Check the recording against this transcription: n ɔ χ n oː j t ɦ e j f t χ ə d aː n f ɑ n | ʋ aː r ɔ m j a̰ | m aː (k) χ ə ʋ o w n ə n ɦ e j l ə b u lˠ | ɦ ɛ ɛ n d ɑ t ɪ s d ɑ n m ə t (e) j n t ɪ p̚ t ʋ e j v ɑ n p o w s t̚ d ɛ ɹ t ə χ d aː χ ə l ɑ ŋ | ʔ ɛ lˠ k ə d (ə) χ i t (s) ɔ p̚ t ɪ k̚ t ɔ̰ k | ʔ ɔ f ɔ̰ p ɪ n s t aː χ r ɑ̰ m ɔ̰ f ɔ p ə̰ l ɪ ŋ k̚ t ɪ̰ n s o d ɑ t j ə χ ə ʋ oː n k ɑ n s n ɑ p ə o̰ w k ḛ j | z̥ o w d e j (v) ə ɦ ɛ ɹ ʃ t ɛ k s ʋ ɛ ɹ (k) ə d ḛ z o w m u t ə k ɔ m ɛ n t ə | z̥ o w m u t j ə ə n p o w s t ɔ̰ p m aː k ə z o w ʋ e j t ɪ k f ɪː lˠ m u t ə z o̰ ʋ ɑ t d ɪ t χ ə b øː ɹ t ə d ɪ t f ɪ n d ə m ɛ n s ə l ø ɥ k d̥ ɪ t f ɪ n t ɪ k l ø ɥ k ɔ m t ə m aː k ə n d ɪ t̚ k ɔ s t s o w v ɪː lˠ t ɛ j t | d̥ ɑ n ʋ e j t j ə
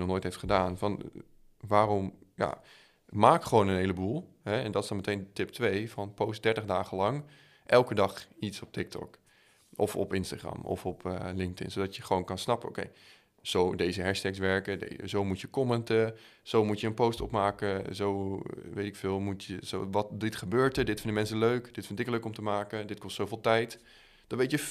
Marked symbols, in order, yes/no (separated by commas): yes, yes, no, yes, no, yes